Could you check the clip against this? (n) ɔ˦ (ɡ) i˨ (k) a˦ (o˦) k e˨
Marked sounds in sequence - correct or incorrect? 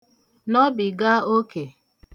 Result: correct, incorrect: b, incorrect: ɡ, correct

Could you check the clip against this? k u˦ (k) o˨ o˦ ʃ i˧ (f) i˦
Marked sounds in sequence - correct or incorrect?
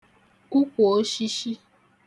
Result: correct, incorrect: ʃ

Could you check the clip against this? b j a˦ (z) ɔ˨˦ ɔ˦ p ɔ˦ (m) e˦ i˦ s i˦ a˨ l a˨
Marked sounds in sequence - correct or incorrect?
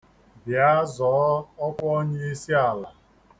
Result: correct, incorrect: ɲ

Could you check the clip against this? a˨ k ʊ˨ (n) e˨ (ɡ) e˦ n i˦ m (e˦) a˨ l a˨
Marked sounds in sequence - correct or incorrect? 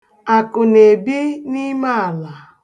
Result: correct, incorrect: b, incorrect: a˦

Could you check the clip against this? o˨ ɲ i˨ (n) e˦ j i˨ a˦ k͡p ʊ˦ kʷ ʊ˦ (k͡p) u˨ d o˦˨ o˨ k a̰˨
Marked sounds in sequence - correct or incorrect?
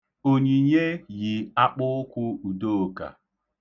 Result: incorrect: ɲ, incorrect: none

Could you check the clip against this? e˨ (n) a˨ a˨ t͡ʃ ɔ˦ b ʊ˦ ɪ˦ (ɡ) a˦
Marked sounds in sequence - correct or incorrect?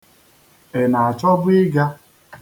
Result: correct, correct

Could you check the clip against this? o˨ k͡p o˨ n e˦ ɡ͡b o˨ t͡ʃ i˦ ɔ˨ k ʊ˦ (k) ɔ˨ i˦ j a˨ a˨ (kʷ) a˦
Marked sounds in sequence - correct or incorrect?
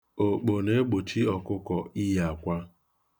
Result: correct, correct

